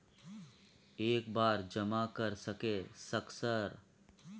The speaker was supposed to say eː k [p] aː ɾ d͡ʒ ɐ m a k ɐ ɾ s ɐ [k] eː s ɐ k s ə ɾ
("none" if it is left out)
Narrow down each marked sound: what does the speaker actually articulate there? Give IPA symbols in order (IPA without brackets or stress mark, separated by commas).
b, k